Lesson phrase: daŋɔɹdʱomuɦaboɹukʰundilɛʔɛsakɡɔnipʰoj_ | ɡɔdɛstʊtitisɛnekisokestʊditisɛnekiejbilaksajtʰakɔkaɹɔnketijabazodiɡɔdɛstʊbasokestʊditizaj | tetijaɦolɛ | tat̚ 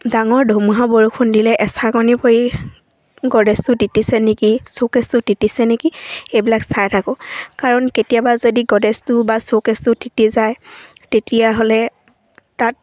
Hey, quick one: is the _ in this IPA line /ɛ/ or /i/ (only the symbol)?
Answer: i